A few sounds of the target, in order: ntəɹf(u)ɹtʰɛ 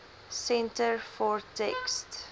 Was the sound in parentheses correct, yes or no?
no